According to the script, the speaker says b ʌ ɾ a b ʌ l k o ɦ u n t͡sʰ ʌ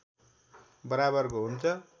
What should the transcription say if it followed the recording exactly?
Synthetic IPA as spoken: b ʌ ɾ a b ʌ r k o ɦ u n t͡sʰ ʌ